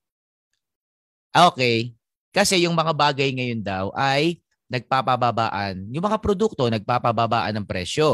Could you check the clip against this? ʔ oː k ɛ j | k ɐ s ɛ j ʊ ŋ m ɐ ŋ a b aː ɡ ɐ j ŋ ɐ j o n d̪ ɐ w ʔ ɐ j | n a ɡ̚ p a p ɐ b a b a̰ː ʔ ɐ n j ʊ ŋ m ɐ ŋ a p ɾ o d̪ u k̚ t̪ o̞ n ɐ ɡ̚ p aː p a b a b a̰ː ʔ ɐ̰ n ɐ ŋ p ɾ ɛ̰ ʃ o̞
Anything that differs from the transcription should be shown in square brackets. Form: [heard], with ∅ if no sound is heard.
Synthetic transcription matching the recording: ʔ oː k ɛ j | k ɐ s ɛ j ʊ ŋ m ɐ ŋ a b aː ɡ ɐ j ŋ ɐ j o n d̪ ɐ w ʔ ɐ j | n [ɐ] ɡ̚ p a p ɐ b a b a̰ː ʔ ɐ n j ʊ ŋ m ɐ ŋ a p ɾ o d̪ u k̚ t̪ o̞ n ɐ ɡ̚ p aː p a b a b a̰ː ʔ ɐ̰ n ɐ ŋ p ɾ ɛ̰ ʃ o̞